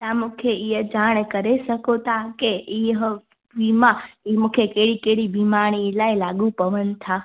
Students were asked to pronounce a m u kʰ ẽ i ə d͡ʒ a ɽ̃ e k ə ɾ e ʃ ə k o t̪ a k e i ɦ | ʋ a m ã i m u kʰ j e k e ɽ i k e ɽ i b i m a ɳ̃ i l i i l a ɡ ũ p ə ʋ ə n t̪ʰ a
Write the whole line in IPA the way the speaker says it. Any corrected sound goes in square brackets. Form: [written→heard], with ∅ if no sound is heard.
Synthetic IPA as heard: a m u kʰ [ẽ→e] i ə d͡ʒ a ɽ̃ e k ə ɾ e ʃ ə k o t̪ a k e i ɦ | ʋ [a→i] m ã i m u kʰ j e k e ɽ i k e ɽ i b i m a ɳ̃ i l [i→a] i l a ɡ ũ p ə ʋ ə n t̪ʰ a